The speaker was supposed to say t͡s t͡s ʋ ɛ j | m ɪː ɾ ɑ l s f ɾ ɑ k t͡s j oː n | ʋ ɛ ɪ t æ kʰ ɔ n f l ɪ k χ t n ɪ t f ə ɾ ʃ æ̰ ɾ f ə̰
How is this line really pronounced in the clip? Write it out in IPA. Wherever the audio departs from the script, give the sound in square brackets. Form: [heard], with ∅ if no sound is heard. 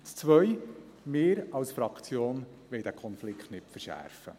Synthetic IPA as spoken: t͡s t͡s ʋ [œ] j | m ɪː ɾ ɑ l s f ɾ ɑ k t͡s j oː n | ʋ ɛ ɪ [d] æ kʰ ɔ n f l ɪ k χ t n ɪ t f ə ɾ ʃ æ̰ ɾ f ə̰